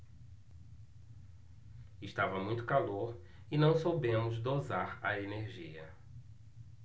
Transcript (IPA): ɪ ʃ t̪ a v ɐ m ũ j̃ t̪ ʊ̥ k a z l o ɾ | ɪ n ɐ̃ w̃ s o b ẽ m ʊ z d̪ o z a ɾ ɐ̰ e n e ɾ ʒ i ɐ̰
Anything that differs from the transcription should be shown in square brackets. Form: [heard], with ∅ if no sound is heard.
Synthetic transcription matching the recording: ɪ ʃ t̪ a v ɐ m ũ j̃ t̪ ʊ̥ k a [∅] l o ɾ | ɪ n ɐ̃ w̃ s o b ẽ m ʊ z d̪ o z a ɾ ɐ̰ e n e ɾ ʒ i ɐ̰